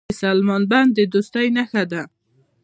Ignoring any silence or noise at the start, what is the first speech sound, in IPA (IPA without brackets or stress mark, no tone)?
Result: s